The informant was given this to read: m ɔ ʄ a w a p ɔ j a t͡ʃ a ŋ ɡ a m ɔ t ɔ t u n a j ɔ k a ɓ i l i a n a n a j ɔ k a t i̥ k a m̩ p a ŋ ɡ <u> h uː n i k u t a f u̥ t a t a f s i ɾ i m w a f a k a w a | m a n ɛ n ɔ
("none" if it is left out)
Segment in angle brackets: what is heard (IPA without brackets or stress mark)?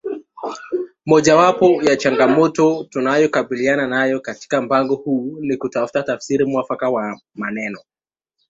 ɔ